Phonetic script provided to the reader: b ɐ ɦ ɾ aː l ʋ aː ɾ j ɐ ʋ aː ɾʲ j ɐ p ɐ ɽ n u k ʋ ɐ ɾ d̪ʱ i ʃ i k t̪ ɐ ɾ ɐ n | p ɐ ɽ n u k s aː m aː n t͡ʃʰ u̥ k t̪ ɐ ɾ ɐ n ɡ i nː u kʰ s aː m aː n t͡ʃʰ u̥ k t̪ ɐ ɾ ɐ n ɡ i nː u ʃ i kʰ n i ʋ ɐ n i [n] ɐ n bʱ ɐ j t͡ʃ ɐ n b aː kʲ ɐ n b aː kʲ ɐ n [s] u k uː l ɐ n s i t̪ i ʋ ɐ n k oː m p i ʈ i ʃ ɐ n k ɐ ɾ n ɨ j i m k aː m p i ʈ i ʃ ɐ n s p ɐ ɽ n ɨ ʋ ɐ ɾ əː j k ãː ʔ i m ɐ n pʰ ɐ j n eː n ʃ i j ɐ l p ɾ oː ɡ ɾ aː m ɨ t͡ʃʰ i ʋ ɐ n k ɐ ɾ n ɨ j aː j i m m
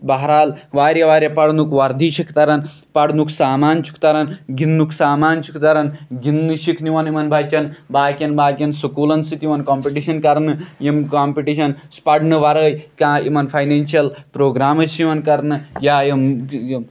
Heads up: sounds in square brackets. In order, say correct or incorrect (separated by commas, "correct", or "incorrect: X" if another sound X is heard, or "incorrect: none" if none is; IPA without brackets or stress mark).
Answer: incorrect: m, correct